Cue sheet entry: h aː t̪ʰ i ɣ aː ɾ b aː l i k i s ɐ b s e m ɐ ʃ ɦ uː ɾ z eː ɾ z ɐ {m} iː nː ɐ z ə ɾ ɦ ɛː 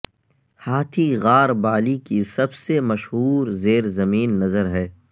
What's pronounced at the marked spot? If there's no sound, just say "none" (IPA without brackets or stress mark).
m